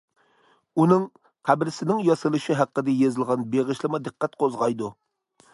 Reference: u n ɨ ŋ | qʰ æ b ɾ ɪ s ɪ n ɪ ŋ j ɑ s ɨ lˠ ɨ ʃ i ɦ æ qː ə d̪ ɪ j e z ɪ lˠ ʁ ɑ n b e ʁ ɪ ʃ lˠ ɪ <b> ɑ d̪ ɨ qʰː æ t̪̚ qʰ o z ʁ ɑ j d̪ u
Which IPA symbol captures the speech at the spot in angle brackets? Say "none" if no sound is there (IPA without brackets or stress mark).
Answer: m